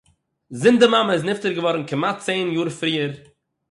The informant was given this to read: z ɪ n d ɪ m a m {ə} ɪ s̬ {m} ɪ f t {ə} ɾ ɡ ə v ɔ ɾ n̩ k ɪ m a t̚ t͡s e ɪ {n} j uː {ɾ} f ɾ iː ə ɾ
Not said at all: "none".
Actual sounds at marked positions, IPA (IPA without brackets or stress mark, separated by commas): ə, n, ə, n, ɾ